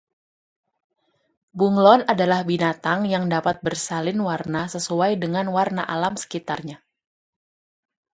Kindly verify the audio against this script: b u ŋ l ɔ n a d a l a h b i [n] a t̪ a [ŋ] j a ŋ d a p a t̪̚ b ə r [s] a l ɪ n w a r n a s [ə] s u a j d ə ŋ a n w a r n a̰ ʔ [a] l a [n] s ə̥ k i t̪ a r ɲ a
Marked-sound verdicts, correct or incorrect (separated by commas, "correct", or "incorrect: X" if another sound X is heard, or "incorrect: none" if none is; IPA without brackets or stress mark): correct, correct, correct, correct, correct, incorrect: m